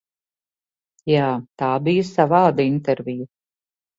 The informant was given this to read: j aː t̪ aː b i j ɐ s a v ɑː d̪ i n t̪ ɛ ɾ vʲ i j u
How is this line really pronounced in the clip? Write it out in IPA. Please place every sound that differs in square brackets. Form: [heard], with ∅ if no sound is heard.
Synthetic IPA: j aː t̪ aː b i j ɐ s a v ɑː d̪ i n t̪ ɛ ɾ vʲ i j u